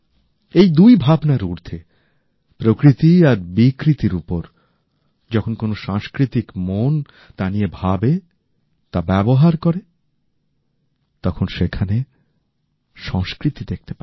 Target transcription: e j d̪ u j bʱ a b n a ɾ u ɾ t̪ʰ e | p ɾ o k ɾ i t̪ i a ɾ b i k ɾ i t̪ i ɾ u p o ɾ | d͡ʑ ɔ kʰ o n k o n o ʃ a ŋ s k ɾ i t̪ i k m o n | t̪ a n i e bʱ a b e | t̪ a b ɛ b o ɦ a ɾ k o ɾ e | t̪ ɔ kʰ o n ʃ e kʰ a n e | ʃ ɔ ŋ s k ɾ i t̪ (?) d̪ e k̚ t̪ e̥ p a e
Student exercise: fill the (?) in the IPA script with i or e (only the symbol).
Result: i